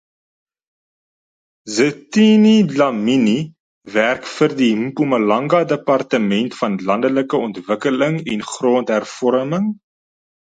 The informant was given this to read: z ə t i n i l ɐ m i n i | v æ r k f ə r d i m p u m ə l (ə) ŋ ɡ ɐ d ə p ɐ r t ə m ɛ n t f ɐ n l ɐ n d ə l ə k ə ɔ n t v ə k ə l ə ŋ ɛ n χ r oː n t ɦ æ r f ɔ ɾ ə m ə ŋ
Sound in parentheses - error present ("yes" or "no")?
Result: yes